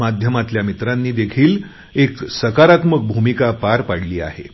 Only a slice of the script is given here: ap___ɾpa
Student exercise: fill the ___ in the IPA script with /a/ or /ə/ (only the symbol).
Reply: a